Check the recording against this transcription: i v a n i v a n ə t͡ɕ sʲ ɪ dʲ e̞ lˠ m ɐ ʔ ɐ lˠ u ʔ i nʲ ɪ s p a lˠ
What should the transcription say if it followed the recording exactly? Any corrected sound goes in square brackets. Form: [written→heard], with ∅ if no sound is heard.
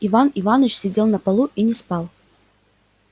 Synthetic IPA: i v a n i v a n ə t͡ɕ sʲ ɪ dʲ e̞ lˠ [m→n] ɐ [ʔ→p] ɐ lˠ u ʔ i nʲ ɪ s p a lˠ